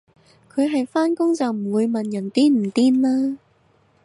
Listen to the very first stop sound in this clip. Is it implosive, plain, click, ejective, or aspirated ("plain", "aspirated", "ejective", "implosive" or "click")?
aspirated